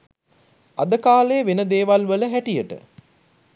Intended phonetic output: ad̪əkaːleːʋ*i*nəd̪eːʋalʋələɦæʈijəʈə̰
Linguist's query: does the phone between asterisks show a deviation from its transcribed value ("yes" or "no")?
yes